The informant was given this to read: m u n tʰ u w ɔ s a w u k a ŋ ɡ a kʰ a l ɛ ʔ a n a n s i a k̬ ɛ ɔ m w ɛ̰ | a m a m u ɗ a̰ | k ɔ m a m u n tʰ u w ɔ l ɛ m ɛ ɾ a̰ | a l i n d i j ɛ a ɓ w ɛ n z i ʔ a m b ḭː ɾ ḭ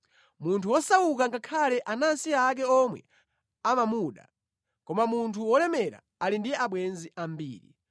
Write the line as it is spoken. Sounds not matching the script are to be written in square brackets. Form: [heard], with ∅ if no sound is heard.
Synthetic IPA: m u n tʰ u w ɔ s a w u k a ŋ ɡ a kʰ a l ɛ ʔ a n a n s i a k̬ ɛ ɔ m w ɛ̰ | a m a m u ɗ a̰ | k ɔ m a m u n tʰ u w ɔ l ɛ m ɛ ɾ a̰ | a l i n d i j ɛ a ɓ w ɛ n z i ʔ a m b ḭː ɾ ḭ